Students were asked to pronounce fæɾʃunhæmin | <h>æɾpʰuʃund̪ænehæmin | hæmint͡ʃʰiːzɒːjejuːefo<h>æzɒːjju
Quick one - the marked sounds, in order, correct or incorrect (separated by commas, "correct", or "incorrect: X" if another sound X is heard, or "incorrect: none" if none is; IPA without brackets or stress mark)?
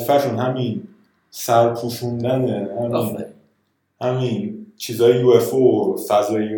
incorrect: s, incorrect: f